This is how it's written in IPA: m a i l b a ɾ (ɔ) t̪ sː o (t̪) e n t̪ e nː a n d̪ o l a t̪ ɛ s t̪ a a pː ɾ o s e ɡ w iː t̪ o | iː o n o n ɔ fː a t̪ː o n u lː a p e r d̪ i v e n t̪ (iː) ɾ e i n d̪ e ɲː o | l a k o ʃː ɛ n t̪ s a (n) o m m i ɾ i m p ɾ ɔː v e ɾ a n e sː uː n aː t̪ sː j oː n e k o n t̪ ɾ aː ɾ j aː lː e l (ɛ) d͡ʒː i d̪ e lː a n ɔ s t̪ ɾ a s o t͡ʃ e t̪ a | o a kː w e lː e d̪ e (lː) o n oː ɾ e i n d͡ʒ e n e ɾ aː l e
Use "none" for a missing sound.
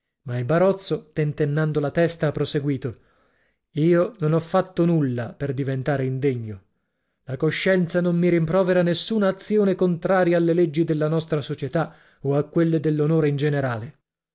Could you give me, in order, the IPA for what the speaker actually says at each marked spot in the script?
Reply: ɔ, t̪, aː, n, e, lː

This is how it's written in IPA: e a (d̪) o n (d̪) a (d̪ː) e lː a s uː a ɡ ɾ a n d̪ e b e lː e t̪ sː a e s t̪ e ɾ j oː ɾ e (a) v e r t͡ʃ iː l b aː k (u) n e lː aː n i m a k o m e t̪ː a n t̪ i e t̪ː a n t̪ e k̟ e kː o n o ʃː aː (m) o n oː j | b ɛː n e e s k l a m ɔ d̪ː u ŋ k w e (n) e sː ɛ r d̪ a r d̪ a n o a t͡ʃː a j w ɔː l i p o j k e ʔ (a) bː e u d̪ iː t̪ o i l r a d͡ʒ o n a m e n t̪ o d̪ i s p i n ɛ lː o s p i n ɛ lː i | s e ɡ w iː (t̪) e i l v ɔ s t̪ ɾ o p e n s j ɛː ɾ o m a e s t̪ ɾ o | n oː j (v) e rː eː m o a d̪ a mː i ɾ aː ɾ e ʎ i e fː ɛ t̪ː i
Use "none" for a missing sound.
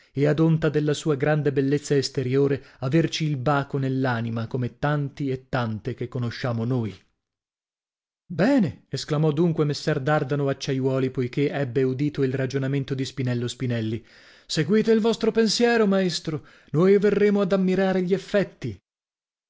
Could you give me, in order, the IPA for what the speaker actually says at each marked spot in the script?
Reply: d̪, t̪, d̪, a, o, m, m, ɛ, t̪, v

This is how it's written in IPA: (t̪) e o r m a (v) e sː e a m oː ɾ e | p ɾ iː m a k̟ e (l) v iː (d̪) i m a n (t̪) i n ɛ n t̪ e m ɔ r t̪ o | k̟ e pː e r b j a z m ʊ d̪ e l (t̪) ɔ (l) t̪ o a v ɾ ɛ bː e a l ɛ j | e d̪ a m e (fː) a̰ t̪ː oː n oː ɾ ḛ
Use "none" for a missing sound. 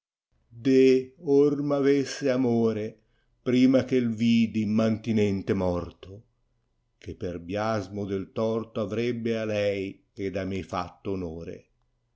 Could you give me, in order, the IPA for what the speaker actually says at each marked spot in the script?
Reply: d̪, v, l, d̪, t̪, t̪, r, f

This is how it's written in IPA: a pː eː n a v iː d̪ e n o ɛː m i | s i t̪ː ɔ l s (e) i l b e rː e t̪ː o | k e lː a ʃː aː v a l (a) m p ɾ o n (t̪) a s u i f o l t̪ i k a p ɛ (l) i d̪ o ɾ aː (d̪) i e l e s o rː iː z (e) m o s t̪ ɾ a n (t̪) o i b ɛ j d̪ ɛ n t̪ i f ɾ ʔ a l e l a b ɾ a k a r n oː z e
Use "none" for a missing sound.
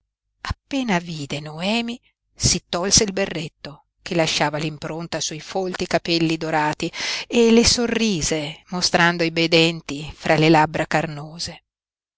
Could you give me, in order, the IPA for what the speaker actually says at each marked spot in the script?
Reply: e, i, t̪, lː, t̪, e, d̪

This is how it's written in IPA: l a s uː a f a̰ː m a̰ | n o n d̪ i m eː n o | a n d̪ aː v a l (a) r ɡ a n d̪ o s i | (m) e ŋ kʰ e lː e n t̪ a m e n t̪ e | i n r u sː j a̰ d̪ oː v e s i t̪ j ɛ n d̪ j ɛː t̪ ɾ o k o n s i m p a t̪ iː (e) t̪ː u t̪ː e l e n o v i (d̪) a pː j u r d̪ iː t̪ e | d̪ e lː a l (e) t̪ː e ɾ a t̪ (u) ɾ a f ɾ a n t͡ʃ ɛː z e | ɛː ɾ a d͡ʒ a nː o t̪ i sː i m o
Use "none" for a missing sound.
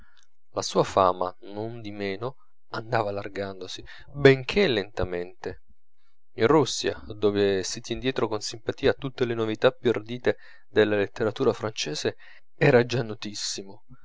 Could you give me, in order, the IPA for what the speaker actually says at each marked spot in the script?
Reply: a, b, a, t̪, e, uː

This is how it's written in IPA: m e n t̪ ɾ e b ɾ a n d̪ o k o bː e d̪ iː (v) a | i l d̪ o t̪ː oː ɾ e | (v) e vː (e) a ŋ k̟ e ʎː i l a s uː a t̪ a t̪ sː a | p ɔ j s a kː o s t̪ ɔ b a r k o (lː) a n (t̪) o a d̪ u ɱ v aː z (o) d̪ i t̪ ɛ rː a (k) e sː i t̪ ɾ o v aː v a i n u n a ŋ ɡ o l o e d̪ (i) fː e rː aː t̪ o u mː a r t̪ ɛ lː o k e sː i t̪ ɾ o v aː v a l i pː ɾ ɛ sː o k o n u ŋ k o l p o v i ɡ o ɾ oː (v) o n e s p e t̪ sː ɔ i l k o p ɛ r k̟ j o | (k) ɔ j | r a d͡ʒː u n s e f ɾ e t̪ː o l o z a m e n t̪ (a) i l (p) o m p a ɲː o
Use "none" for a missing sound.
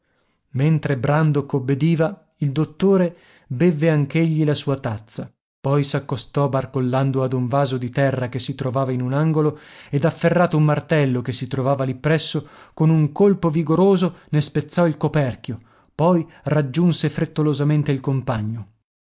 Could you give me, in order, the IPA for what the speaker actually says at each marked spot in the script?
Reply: v, b, e, lː, d̪, o, k, a, z, p, e, k

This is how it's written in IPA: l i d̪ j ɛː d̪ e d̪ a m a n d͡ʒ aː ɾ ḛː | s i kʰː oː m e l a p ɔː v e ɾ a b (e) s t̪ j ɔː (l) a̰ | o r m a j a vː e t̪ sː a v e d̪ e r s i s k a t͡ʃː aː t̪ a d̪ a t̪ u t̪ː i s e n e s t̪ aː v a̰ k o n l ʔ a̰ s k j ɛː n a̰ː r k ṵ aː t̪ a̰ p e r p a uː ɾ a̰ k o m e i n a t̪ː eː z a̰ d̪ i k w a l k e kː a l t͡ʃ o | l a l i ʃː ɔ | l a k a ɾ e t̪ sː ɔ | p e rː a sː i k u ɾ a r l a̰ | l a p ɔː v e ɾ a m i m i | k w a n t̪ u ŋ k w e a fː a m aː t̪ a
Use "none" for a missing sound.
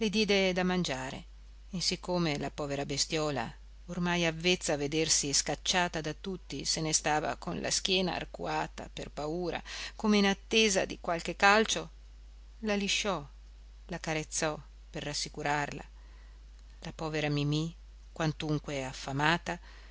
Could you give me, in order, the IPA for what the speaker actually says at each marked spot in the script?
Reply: e, l

